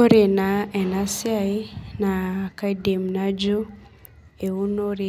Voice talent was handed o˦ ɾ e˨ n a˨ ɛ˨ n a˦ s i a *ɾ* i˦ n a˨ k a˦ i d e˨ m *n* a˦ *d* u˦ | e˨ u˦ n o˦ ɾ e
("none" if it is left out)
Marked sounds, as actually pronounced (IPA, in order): none, n, d͡ʒ

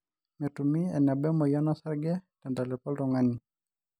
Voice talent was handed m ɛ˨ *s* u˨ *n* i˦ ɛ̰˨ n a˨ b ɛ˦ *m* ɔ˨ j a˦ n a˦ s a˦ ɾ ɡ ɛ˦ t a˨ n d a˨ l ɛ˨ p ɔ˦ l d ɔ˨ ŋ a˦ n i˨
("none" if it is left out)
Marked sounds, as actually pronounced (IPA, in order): t, m, m

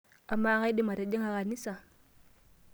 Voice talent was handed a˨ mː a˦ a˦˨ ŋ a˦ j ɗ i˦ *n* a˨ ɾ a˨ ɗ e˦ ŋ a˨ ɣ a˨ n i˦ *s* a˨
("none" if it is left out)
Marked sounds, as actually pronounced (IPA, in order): m, s

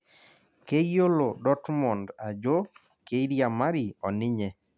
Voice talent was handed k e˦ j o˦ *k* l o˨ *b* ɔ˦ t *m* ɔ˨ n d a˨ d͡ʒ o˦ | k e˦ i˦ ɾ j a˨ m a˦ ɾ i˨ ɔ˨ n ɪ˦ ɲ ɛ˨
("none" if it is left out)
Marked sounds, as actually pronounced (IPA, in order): none, d, m

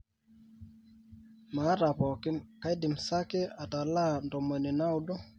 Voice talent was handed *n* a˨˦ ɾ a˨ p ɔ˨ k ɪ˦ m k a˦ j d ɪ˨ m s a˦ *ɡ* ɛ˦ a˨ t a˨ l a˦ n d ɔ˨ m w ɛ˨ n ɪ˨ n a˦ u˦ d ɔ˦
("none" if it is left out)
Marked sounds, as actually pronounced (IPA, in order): m, k

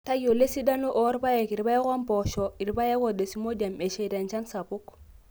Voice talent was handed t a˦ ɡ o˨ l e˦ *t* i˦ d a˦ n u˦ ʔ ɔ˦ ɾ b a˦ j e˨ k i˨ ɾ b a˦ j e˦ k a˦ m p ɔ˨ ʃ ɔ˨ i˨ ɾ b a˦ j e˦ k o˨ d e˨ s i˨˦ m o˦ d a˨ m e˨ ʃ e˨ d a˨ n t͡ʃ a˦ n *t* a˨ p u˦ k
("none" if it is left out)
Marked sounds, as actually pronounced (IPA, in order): s, s

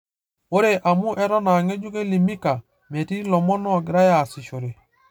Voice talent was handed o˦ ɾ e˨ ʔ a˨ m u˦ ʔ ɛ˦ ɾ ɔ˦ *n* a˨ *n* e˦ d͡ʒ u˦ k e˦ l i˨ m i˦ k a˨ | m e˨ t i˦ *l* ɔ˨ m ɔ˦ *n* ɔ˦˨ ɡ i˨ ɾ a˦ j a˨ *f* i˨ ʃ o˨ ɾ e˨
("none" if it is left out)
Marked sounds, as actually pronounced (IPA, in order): n, ŋ, l, n, s

